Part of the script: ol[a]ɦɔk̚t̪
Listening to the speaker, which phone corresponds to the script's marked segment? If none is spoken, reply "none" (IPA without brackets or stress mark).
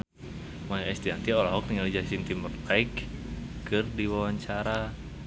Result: a